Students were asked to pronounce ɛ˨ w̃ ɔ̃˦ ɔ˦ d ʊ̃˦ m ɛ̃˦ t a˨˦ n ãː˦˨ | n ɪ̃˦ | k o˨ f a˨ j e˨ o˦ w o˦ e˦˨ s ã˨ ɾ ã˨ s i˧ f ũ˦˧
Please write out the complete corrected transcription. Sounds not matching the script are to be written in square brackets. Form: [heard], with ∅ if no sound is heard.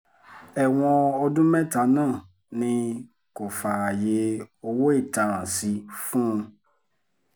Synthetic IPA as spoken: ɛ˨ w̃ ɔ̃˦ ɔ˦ d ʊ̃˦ m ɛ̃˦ t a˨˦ n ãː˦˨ | n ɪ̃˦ | k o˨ f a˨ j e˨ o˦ w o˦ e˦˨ [t] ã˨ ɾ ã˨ s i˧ f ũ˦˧